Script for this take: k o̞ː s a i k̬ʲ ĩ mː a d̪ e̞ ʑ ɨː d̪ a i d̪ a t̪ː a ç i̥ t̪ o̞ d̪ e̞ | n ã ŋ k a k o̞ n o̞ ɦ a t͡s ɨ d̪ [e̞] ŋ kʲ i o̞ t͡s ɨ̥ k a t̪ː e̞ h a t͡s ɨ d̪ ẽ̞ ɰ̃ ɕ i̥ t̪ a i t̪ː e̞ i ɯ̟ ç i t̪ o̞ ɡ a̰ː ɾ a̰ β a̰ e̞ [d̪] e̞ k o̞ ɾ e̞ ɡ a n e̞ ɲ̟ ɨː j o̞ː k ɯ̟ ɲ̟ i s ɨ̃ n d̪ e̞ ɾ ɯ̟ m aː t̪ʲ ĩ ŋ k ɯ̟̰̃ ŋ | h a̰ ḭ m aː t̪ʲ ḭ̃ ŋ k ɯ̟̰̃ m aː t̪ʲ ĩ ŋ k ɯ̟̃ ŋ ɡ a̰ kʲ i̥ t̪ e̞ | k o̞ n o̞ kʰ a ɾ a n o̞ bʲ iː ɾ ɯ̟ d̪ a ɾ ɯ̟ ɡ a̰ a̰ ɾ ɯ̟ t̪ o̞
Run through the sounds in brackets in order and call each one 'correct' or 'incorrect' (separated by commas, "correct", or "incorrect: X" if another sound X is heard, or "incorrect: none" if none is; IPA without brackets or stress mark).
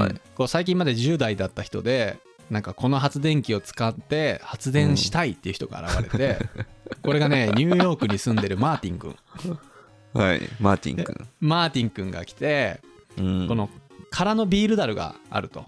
incorrect: ẽ̞, incorrect: t̪